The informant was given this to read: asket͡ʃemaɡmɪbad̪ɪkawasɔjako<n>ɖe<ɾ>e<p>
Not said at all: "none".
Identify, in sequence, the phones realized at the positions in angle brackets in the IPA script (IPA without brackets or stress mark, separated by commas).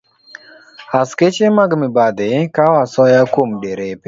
m, ɾ, p